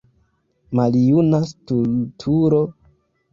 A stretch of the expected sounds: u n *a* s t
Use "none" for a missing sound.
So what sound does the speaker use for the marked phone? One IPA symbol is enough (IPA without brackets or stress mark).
a